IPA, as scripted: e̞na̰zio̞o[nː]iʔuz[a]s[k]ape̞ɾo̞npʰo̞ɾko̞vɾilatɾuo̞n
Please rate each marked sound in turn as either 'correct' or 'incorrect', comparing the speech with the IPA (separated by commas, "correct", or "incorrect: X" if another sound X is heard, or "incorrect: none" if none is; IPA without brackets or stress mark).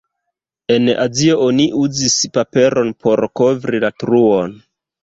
incorrect: n, incorrect: i, incorrect: p